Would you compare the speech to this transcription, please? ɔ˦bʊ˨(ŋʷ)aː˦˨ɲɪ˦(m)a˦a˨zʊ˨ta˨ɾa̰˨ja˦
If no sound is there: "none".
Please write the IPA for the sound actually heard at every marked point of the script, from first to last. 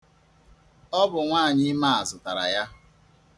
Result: ŋʷ, m

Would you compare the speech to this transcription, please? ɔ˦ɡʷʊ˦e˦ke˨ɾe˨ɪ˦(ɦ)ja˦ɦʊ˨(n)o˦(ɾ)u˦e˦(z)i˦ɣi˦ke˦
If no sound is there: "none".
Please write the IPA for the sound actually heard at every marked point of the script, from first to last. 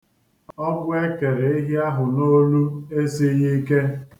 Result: ɦ, n, l, s

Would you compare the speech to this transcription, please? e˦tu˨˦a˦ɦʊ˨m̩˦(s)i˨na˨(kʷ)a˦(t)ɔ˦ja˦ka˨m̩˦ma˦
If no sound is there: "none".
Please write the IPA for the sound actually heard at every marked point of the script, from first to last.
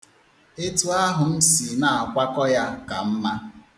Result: s, kʷ, k

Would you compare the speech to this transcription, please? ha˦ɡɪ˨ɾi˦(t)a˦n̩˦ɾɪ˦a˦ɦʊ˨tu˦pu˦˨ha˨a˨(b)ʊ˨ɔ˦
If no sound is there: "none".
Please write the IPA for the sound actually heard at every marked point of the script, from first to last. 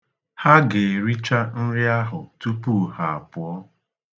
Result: t͡ʃ, p

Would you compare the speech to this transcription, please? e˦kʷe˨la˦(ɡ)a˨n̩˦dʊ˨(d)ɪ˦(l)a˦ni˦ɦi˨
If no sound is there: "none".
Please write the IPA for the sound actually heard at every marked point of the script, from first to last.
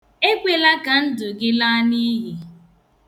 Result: k, ɡ, l

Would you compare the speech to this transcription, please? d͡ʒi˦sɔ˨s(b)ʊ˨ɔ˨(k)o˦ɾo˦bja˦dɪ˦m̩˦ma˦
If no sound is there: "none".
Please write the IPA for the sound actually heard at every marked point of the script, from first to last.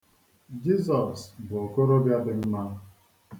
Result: b, k

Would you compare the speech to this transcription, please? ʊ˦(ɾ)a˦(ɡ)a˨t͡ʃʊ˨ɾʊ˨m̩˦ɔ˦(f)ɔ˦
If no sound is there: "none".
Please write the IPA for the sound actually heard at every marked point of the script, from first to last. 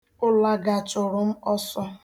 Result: l, ɡ, s

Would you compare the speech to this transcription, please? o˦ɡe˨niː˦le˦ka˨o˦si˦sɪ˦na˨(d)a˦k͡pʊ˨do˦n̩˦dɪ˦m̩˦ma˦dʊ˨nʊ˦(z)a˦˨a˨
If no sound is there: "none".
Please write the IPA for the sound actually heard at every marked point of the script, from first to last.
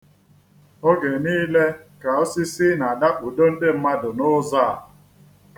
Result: d, z

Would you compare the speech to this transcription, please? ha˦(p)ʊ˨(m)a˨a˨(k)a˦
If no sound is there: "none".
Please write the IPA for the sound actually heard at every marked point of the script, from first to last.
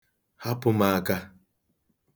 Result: p, m, k

